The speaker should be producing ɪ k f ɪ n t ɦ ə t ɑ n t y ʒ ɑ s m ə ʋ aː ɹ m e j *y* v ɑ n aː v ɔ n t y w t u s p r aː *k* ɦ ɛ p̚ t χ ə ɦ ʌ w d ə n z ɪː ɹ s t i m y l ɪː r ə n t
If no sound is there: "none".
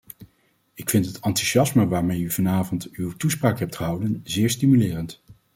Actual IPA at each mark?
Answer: y, k

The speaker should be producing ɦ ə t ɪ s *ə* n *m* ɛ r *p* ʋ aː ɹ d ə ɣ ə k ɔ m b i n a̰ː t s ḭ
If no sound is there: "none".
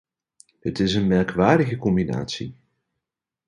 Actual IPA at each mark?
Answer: ə, m, k

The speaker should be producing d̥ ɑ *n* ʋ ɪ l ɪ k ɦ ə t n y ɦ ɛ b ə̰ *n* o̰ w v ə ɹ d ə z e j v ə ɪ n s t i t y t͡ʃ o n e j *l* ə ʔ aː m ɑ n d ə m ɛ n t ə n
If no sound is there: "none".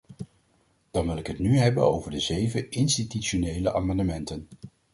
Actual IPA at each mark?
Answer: n, n, l

